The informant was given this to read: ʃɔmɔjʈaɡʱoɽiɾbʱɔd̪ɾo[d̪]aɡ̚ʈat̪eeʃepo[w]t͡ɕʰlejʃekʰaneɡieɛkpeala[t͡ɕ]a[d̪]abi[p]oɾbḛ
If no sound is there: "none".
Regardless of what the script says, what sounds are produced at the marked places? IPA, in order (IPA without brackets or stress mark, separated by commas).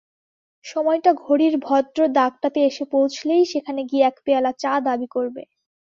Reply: d̪, w, t͡ɕ, d̪, k